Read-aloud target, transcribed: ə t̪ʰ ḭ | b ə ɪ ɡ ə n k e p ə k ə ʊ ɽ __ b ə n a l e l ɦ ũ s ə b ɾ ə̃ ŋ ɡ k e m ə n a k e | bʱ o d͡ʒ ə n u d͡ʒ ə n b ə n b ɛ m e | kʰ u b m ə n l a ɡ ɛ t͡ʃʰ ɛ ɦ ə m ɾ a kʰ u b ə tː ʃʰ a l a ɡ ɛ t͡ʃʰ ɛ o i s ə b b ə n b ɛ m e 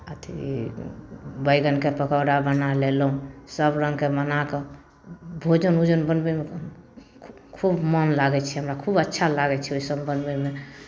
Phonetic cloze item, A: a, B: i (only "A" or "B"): A